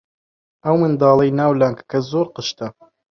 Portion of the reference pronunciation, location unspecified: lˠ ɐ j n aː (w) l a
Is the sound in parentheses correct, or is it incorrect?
correct